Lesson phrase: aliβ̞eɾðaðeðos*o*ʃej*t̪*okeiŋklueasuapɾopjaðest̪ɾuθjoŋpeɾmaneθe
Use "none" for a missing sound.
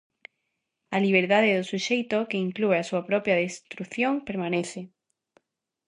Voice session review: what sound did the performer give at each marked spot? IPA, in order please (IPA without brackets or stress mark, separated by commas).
u, t̪